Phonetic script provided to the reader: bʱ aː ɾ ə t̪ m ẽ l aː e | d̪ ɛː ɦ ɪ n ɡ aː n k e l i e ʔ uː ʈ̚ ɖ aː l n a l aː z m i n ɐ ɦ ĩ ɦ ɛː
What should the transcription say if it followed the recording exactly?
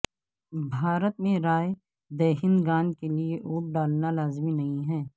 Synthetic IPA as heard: bʱ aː ɾ ə t̪ m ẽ ɾ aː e | d̪ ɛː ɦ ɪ n ɡ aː n k e l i e ʔ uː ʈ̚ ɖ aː l n a l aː z m i n ɐ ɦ ĩ ɦ ɛː